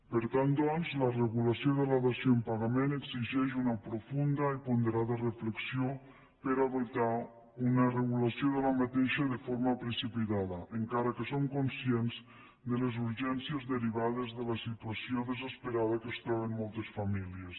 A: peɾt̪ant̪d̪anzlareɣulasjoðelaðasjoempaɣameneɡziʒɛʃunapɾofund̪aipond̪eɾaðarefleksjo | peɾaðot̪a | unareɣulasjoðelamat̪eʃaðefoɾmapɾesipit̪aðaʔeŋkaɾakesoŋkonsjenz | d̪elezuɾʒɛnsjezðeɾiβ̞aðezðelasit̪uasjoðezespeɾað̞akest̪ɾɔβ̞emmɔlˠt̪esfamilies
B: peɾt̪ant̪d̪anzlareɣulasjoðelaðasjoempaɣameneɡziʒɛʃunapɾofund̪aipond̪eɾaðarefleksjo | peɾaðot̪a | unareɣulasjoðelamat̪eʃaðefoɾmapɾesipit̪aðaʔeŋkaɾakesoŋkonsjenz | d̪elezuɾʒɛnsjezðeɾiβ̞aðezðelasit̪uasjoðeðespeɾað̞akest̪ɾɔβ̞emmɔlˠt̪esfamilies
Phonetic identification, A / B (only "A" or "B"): A